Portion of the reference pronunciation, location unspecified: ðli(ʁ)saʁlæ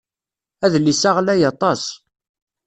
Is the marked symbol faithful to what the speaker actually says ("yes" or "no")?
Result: no